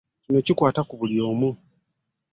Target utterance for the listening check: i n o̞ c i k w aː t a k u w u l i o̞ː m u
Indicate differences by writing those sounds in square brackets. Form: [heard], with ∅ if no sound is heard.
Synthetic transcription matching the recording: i n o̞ c i k w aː t a k u [β] u l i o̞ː m u